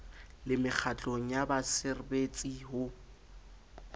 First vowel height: high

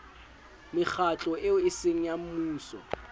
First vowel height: high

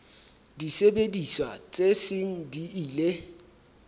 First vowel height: high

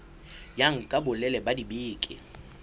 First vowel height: low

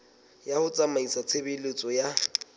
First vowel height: low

